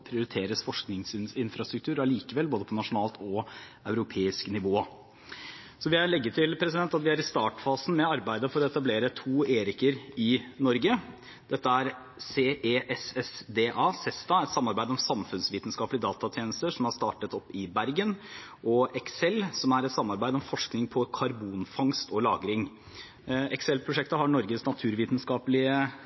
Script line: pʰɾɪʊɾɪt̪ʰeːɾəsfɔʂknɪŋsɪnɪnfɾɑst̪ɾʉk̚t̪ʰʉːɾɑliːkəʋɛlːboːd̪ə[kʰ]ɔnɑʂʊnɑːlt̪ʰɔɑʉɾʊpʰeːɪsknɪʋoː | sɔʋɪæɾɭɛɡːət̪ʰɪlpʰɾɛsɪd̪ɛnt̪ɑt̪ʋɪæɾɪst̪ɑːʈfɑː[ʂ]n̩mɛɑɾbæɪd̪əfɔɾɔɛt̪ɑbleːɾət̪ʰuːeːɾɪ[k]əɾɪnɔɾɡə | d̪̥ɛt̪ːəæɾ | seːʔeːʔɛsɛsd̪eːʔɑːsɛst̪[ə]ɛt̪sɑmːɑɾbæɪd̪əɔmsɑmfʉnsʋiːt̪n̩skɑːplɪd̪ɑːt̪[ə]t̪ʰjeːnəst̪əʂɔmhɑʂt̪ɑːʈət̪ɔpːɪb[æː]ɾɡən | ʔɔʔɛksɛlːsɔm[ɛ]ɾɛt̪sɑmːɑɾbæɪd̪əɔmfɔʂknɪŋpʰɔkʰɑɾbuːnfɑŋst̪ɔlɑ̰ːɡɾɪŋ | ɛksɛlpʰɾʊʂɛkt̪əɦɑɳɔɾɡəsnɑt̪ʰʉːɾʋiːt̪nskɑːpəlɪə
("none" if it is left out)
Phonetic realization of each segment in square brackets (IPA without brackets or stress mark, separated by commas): pʰ, s, k, ɑ, ɑ, æ, æ